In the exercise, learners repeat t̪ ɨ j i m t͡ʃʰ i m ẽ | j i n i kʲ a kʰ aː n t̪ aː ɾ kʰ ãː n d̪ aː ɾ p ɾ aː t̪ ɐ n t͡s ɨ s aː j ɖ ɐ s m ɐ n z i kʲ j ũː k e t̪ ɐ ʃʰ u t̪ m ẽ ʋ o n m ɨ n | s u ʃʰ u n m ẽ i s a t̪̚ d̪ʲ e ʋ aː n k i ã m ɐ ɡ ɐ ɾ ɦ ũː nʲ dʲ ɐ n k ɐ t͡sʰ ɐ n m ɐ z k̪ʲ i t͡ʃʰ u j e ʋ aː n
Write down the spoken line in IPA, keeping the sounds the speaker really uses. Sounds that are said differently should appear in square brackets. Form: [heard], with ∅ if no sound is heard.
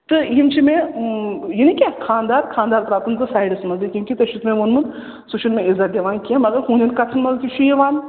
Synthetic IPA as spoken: t̪ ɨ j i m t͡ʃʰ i m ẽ | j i n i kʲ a kʰ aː n [d̪] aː ɾ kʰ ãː n d̪ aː ɾ p ɾ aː t̪ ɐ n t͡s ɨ s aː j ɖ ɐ s m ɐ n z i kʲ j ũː k [i] t̪ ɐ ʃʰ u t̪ m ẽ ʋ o n m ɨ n | s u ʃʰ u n m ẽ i [z] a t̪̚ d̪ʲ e ʋ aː n k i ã m ɐ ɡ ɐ ɾ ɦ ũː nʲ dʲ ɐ n k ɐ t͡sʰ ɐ n m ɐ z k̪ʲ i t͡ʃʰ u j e ʋ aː n